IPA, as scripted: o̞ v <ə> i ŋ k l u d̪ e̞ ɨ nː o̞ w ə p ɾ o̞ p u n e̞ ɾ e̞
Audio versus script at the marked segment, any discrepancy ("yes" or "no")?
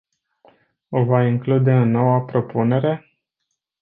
yes